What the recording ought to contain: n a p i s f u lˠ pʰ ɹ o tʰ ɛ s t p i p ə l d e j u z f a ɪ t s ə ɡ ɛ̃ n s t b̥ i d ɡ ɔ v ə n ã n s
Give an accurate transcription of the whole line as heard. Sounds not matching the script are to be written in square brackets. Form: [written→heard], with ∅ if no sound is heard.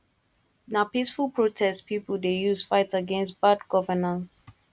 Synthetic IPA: n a p i s f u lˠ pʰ ɹ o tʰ ɛ s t p i p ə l d e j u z f a ɪ t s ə ɡ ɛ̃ n s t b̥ [i→a] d ɡ ɔ v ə n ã n s

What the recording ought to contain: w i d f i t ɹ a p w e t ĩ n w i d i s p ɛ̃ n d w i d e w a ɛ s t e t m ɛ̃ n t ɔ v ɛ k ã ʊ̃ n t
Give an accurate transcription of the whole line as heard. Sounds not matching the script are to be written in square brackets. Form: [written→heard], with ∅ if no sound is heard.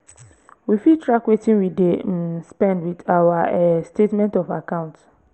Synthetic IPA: w i [d→∅] f i t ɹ a [p→k] w e t ĩ n w i d [i→e] s p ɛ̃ n d w i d [e→a] w a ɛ s t e t m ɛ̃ n t ɔ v [ɛ→a] k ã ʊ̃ n t

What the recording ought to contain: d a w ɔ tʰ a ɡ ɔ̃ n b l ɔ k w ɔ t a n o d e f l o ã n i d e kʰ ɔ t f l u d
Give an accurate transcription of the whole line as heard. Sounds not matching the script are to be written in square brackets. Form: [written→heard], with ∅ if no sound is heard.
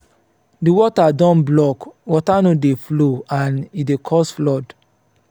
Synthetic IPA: d [a→i] w ɔ [tʰ→t] a [ɡ→d] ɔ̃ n b l ɔ k w ɔ t a n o d e f l o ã n i d e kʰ ɔ [t→s] f l [u→ɔ] d

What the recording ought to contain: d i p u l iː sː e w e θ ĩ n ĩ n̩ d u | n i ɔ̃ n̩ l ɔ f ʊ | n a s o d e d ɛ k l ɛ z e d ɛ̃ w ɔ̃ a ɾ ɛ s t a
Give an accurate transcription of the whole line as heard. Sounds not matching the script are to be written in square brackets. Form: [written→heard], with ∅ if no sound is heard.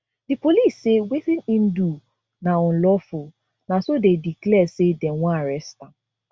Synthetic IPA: d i p [u→o] l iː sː e w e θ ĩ n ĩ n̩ d u | n [i→a] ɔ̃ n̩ l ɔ f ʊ | n a s o d e d [ɛ→i] k l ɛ [z→s] e d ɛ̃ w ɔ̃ a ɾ ɛ s t a

